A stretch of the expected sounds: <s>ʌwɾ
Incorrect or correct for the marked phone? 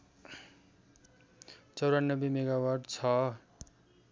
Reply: incorrect: t͡s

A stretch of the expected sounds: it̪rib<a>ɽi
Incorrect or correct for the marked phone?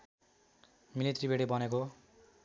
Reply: incorrect: e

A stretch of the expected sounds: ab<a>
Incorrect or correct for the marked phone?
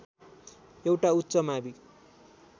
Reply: incorrect: i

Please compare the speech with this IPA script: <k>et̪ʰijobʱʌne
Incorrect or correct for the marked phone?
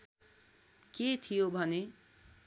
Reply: correct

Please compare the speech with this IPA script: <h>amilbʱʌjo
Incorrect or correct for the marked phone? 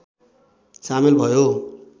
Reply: incorrect: s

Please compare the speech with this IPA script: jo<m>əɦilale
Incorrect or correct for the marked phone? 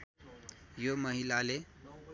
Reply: correct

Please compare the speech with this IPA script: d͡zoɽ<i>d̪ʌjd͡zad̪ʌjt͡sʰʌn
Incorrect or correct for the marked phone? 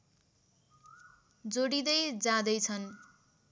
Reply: correct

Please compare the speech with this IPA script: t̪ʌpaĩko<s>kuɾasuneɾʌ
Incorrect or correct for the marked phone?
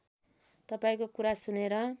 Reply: incorrect: none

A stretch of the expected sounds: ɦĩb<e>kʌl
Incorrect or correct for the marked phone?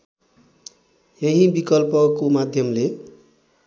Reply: incorrect: i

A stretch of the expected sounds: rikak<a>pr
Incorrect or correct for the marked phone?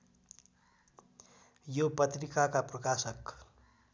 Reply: correct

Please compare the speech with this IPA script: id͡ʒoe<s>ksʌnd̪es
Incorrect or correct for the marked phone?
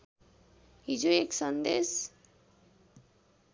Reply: incorrect: none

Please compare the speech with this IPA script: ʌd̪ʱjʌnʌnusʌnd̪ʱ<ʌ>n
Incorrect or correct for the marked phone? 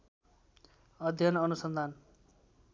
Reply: incorrect: a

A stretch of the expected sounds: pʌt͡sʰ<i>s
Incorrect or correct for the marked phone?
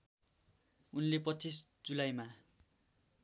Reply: correct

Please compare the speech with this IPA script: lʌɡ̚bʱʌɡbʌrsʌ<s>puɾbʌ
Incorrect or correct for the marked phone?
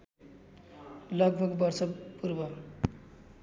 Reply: incorrect: none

